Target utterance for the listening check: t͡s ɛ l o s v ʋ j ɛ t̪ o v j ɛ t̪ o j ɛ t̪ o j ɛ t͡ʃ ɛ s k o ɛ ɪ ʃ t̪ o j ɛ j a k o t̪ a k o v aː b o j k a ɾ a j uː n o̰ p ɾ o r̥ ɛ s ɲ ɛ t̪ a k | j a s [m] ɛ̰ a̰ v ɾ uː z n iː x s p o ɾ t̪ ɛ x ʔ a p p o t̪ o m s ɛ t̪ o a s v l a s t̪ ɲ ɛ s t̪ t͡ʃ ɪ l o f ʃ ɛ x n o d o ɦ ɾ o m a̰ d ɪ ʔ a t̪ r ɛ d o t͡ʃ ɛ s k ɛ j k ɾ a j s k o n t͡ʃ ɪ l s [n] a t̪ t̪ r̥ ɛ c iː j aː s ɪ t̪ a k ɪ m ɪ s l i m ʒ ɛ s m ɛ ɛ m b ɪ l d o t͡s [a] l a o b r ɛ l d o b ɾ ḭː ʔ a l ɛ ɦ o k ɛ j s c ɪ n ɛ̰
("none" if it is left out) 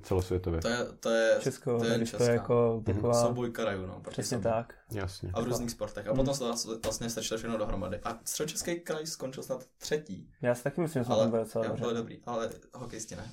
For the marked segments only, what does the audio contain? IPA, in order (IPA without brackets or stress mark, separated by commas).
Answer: ɲ, n, ɛ